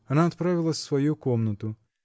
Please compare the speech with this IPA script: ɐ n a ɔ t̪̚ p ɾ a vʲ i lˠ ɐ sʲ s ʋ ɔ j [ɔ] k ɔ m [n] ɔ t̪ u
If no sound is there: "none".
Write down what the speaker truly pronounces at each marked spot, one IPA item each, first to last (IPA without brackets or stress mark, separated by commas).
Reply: u, n